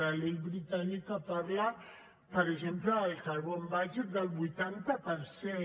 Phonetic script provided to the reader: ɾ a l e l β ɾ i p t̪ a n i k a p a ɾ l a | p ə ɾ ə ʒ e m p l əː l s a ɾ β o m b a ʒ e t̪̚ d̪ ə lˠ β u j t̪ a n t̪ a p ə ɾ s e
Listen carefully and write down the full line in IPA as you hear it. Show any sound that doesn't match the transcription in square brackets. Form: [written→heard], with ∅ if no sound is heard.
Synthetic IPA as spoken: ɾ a l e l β ɾ i [p→∅] t̪ a n i k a p a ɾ l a | p ə ɾ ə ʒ e m p l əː l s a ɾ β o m b a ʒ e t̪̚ d̪ ə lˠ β u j t̪ a n t̪ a p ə ɾ s e